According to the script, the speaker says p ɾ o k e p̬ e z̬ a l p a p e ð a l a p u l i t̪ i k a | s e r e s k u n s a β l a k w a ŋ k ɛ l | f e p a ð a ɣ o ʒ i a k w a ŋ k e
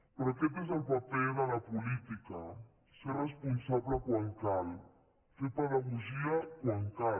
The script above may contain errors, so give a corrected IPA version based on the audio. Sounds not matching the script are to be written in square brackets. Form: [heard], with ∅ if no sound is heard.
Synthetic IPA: p ɾ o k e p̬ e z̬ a l p a p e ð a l a p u l i t̪ i k a | s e r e s [p] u n s a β l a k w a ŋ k [a] l | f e p a ð a ɣ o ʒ i a k w a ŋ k [a]